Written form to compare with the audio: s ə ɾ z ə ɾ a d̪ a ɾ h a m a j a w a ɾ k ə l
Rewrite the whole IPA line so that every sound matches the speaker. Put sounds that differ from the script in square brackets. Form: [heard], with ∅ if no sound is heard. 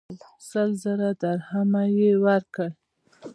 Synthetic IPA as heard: s ə [l] z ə ɾ a d̪ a ɾ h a m a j [e] w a ɾ k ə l